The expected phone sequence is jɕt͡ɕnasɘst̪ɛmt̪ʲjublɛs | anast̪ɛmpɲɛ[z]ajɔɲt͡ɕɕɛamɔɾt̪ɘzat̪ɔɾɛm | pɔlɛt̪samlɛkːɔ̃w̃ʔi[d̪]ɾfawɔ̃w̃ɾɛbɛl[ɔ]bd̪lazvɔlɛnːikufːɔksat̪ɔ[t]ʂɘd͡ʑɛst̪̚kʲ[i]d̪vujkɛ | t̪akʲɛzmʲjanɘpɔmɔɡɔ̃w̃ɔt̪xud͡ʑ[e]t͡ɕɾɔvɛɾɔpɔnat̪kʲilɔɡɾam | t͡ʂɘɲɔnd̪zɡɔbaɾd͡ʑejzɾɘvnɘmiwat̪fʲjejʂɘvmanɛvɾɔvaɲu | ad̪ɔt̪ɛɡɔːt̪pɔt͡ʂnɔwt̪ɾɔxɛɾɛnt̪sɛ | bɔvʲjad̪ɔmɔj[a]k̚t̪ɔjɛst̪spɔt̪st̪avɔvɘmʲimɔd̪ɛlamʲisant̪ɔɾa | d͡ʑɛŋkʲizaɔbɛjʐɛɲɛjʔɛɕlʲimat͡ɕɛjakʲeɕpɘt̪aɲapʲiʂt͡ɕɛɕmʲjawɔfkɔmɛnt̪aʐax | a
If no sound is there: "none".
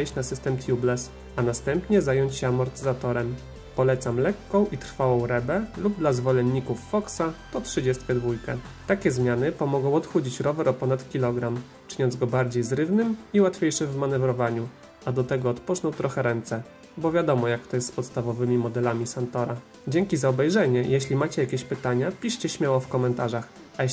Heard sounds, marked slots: z, t̪, u, t, ɛ, i, a

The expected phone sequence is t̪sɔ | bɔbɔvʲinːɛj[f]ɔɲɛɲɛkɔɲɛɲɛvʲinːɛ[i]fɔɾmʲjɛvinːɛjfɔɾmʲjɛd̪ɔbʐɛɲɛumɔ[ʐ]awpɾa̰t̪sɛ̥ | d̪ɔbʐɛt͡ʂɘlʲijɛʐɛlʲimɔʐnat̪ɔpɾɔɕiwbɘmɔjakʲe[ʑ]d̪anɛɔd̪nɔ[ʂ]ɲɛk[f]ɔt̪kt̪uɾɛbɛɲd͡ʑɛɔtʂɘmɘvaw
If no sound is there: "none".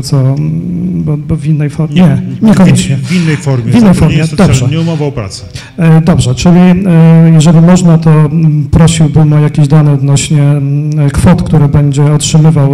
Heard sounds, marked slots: f, j, v, ʑ, ɕ, f

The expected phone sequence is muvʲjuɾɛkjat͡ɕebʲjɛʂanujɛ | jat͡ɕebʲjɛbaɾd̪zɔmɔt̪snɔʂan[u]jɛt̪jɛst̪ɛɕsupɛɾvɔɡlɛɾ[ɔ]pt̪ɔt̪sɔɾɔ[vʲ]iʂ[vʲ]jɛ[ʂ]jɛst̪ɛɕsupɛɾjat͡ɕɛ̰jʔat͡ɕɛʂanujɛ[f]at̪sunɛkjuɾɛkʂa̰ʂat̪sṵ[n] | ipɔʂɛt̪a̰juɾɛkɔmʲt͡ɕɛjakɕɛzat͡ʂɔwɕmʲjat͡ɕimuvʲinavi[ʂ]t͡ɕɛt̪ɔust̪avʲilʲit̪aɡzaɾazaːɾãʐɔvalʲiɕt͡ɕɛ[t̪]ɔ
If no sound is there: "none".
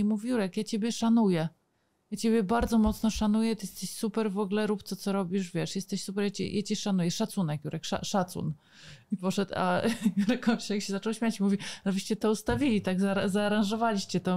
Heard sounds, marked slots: u, u, bʲ, vʲ, ʂ, ʂ, n, ɕ, t̪

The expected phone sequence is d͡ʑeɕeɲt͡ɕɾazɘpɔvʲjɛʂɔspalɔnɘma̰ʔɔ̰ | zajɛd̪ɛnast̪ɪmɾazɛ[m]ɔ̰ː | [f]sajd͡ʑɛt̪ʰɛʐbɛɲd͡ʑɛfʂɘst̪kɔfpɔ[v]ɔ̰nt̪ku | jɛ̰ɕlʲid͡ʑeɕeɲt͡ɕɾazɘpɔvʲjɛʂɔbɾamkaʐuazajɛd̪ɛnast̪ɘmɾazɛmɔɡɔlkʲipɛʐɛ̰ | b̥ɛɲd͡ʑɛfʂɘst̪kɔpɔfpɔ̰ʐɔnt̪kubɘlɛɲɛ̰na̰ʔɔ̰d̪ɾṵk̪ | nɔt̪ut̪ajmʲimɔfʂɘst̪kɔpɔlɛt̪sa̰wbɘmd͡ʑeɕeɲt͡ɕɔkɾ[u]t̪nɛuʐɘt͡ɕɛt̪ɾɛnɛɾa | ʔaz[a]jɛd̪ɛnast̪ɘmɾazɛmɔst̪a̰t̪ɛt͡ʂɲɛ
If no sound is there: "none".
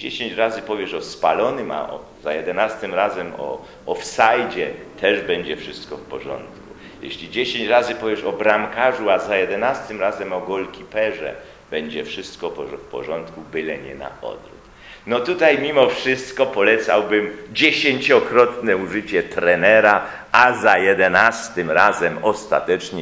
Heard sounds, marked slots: m, f, ʐ, ɔ, a

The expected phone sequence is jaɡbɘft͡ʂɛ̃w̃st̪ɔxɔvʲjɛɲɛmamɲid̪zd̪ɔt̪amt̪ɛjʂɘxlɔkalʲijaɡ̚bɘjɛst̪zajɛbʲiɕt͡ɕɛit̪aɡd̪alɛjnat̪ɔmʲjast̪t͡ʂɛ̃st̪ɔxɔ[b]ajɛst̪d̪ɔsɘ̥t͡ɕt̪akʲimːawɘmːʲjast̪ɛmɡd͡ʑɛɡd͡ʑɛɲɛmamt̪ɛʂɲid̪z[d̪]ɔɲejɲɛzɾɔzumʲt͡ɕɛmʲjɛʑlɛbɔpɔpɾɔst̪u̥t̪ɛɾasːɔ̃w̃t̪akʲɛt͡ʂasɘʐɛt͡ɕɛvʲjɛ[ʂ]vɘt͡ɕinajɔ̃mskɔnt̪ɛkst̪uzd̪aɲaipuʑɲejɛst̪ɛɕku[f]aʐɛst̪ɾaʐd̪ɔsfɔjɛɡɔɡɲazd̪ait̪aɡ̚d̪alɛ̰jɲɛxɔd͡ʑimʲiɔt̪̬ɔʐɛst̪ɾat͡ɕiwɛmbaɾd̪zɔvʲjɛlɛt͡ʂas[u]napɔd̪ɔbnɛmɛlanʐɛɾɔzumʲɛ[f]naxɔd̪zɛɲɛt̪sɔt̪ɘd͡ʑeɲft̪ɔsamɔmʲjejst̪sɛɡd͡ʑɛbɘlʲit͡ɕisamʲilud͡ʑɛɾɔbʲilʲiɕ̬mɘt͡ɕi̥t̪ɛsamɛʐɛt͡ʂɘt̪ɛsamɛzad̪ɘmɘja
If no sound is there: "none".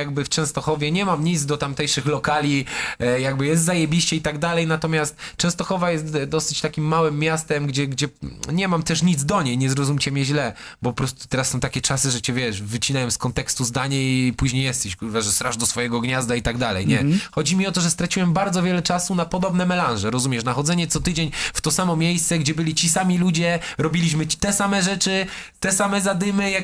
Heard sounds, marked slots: v, d̪, ʂ, v, u, ʂ

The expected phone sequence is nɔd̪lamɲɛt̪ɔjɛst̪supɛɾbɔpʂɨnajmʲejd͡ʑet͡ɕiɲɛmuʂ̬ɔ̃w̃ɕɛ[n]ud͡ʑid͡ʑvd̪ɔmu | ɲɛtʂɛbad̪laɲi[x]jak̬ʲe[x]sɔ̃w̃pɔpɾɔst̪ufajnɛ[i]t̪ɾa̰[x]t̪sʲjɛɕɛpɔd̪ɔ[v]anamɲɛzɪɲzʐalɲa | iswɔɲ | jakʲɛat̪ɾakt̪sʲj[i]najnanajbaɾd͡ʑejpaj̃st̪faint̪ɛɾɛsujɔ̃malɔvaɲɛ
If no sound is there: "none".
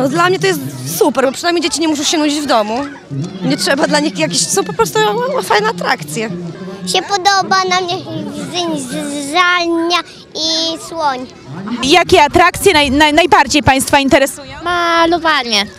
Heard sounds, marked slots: n, x, ɕ, a, k, b, ɛ

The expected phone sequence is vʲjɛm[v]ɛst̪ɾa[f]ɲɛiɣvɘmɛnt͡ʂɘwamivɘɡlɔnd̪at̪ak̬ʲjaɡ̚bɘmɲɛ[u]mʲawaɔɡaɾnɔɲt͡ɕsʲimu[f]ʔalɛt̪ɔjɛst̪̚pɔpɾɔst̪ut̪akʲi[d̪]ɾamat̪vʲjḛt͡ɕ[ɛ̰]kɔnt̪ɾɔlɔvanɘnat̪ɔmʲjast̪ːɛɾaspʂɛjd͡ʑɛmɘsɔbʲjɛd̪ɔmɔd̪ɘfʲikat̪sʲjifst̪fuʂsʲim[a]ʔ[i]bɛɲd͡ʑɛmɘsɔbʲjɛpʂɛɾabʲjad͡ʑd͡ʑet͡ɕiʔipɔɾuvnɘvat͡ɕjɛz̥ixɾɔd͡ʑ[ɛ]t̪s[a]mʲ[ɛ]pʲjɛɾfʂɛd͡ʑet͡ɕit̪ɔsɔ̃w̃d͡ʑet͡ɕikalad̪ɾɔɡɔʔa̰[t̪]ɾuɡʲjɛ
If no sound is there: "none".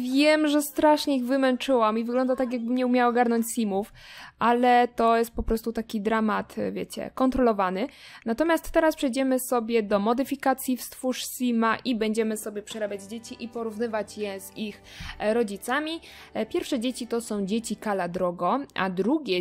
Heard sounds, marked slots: ʐ, ʂ, u, f, d̪, ɛ̰, a, i, i, a, i, d̪

